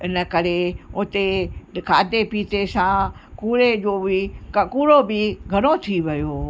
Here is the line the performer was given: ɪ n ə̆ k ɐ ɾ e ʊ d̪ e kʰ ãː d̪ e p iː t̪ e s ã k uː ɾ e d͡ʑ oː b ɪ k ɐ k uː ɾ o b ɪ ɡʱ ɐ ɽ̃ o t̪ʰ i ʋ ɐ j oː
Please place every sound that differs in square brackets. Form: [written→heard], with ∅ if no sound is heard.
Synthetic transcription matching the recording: ɪ n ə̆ k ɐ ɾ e ʊ [d̪→t̪] e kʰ [ãː→aː] d̪ e p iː t̪ e s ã k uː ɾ e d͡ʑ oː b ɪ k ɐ k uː ɾ o b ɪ ɡʱ ɐ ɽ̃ o t̪ʰ i ʋ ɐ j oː